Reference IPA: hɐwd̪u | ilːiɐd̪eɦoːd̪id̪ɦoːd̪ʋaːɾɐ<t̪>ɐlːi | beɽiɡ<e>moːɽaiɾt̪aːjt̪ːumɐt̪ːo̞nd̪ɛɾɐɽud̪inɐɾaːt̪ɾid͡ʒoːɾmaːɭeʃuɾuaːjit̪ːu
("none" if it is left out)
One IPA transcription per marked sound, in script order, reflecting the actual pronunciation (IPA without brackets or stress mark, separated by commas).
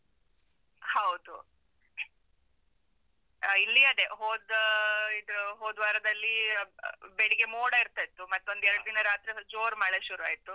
d̪, e